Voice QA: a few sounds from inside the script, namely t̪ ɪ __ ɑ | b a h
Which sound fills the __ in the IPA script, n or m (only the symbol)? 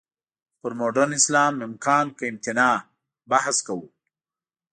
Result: n